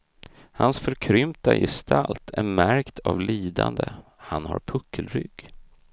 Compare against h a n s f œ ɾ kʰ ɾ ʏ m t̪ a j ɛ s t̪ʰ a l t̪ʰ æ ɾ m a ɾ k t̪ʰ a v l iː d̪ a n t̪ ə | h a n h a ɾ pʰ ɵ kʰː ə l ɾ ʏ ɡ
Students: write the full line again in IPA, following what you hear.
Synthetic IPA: h a n s f œ ɾ kʰ ɾ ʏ m t̪ a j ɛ s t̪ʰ a l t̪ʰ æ ɾ m æ ɾ k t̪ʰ a v l iː d̪ a n d̪ ə | h a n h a ɾ pʰ ɵ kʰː ə l ɾ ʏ ɡ